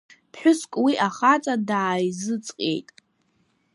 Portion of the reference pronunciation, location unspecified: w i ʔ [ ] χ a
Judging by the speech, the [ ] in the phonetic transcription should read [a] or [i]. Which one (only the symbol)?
a